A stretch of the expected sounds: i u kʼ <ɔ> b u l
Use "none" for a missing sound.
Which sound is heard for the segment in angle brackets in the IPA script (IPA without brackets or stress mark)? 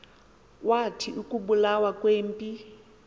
u